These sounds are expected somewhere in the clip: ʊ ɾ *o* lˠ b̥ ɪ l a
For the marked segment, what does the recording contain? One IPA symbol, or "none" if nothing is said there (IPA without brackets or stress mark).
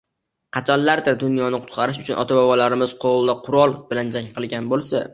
ɒ